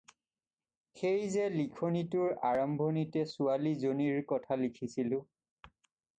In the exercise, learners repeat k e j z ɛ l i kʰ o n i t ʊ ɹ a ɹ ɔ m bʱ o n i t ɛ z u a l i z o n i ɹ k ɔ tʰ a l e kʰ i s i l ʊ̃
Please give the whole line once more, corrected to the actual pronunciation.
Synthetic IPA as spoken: x e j z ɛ l i kʰ o n i t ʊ ɹ a ɹ ɔ m bʱ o n i t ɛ s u a l i z o n i ɹ k ɔ tʰ a l i kʰ i s i l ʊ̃